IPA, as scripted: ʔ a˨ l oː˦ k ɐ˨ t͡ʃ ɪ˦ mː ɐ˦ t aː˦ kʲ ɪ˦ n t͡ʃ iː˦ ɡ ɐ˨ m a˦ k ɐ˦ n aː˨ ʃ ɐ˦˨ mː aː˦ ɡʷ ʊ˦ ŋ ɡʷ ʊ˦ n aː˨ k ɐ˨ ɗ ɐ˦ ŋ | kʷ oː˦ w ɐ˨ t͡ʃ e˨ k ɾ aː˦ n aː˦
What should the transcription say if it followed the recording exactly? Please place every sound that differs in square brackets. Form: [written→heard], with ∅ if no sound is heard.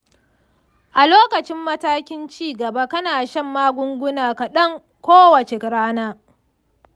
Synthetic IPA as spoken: ʔ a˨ l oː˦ k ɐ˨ t͡ʃ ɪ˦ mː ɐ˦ t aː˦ kʲ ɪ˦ n t͡ʃ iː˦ ɡ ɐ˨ [m→b] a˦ k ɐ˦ n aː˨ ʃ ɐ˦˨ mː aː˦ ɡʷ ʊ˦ ŋ ɡʷ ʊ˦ n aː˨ k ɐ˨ ɗ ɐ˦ ŋ | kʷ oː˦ w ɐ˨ t͡ʃ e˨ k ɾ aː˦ n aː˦